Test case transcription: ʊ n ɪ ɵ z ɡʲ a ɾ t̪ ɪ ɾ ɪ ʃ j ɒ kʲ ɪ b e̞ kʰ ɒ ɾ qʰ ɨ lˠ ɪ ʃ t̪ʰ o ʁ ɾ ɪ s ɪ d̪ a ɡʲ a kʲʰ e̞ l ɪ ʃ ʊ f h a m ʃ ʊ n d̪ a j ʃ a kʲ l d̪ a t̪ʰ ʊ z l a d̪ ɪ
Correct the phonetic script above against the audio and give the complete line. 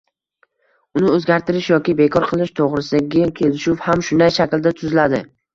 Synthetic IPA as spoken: ʊ n ɪ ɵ z ɡʲ a ɾ t̪ ɪ ɾ ɪ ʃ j ɒ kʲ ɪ b e̞ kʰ ɒ ɾ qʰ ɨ lˠ ɪ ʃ t̪ʰ o ʁ ɾ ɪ s ɪ d̪ a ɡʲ a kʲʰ e̞ l ɪ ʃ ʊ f h a m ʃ ʊ n d̪ a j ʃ a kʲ l d̪ a t̪ʰ ʊ z l a d̪ ɪ